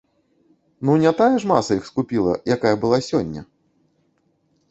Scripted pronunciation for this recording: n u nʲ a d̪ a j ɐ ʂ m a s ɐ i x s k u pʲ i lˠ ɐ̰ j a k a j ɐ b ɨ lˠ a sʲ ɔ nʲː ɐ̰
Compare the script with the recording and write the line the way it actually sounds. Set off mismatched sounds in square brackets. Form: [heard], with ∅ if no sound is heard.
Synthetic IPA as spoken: n u nʲ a [t̪] a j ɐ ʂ m a s ɐ i x s k u pʲ i lˠ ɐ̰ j a k a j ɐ b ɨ lˠ a sʲ ɔ nʲː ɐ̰